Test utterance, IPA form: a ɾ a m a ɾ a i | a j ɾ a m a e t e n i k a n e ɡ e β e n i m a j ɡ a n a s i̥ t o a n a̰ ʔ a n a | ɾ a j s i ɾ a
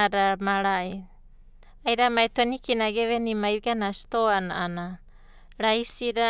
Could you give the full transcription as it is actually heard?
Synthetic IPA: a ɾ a m a ɾ a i | a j ɾ a m a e t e n i k i n a ɡ e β e n i m a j ɡ a n a s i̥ t o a n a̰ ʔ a n a | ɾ a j s i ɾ a